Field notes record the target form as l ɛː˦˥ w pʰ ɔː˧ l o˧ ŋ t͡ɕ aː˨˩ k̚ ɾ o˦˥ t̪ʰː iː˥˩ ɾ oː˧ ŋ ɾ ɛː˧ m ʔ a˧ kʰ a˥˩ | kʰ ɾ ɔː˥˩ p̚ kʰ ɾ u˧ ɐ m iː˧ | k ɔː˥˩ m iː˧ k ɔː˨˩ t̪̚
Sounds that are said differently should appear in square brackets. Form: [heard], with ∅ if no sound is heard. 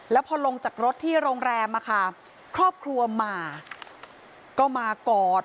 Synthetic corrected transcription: l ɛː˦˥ w pʰ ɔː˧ l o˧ ŋ t͡ɕ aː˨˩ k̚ ɾ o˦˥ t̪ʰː iː˥˩ ɾ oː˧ ŋ ɾ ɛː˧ m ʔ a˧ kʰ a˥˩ | kʰ ɾ ɔː˥˩ p̚ kʰ ɾ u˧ ɐ m [aː˧] | k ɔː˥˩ m [aː˧] k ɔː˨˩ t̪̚